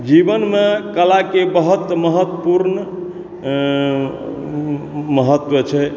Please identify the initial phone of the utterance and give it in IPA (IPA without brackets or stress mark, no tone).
d͡ʒ